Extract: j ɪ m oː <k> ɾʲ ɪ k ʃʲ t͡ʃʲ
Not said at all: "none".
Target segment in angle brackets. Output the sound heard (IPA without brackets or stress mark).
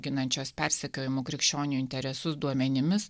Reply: k